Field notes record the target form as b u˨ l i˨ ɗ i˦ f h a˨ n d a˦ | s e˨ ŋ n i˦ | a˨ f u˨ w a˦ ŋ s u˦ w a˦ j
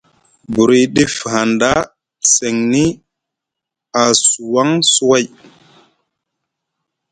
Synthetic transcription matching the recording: b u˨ ɾ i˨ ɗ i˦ f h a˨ n d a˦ | s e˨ ŋ n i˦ | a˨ s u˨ w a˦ ŋ s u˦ w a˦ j

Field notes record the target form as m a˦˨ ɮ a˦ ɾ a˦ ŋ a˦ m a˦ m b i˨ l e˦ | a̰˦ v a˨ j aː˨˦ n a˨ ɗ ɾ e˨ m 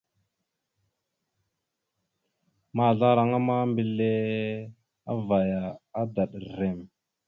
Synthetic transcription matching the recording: m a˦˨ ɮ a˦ ɾ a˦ ŋ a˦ m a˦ m b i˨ l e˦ | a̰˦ v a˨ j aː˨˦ d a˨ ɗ ɾ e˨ m

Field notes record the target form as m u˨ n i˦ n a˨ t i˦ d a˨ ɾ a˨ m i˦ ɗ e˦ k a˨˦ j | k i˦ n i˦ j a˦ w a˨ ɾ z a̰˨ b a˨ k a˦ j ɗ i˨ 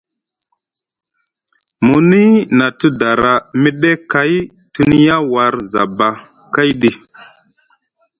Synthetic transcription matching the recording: m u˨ n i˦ n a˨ t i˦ d a˨ ɾ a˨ m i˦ ɗ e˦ k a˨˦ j | t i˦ n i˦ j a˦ w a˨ ɾ z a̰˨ b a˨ k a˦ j ɗ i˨

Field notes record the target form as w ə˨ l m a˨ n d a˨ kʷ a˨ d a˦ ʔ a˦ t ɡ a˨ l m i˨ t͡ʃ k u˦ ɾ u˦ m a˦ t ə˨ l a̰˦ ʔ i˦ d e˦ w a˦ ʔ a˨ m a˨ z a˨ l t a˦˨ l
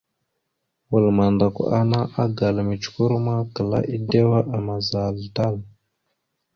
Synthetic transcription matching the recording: w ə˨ l m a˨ n d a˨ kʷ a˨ n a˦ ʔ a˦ ɡ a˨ l m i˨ t͡ʃ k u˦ ɾ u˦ m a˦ k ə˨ l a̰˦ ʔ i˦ d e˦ w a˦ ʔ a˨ m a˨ z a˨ l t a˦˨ l

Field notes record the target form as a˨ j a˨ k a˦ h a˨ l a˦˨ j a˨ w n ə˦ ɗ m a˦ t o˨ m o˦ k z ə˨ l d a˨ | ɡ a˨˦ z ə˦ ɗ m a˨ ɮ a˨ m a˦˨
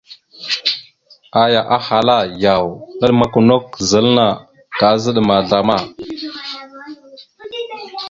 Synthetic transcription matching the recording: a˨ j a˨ ʔ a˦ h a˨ l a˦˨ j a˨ w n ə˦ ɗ m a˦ k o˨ n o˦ k z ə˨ l n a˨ | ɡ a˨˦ z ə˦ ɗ m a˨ ɮ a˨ m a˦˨

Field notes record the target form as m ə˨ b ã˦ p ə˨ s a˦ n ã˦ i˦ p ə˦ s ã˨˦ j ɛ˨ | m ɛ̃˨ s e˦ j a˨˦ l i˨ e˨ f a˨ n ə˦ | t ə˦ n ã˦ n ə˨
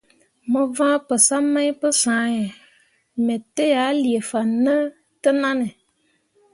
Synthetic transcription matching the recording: m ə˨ v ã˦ p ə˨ s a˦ m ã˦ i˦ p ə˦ s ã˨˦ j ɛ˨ | m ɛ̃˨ t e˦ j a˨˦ l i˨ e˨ f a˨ n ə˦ | t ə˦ n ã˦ n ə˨

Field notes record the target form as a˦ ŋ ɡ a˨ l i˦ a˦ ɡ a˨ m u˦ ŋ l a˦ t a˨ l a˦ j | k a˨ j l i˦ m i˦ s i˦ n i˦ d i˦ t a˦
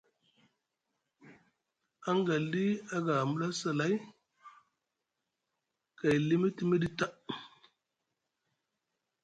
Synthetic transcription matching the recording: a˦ ŋ ɡ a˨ l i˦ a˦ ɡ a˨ m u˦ l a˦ s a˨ l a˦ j | k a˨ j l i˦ m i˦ t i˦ m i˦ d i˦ t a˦

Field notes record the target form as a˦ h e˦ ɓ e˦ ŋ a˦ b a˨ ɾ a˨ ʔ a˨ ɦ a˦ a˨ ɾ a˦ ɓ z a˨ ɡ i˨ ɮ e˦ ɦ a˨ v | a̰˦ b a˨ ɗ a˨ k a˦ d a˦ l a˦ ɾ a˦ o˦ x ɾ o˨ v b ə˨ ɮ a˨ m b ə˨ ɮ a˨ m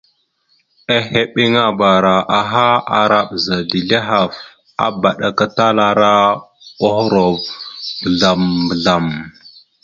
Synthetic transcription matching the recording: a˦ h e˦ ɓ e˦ ŋ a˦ b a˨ ɾ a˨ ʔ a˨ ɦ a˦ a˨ ɾ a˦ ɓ z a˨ d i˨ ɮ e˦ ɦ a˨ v | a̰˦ b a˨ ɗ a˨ k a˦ t a˦ l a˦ ɾ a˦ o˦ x ɾ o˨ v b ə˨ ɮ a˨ m b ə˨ ɮ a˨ m

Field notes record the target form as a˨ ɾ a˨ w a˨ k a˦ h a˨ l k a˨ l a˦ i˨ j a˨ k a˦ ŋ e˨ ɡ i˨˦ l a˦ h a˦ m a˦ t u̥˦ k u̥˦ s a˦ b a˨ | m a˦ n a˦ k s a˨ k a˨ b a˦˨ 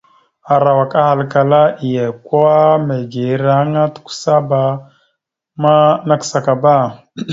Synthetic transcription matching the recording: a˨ ɾ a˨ w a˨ k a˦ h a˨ l k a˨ l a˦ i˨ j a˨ k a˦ m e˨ ɡ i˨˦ ɾ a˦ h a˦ ŋ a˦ t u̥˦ k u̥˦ s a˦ b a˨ | m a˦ n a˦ k s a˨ k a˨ b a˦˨

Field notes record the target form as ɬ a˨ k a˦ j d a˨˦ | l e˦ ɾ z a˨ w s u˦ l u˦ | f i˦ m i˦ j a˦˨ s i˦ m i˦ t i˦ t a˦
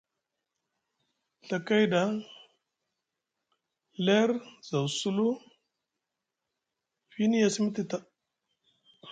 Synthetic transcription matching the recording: ɬ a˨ k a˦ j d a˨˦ | l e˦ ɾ z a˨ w s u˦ l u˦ | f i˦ n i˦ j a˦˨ s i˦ m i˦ t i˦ t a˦

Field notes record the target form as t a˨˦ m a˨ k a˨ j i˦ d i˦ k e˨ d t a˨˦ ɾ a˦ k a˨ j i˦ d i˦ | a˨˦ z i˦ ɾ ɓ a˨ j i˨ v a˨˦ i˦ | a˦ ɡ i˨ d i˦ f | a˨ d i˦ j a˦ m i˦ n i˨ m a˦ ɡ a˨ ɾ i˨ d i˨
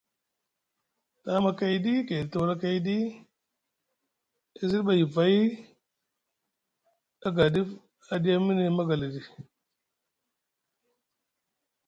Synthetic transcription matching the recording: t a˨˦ m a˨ k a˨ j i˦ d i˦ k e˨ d t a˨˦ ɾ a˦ k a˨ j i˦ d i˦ | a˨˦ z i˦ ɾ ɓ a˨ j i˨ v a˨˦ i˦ | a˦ ɡ a˨ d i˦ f | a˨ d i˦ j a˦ m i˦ n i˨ m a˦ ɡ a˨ l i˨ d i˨

